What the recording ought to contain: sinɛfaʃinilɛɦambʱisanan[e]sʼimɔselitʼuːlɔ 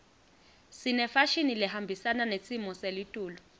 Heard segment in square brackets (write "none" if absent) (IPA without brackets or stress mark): e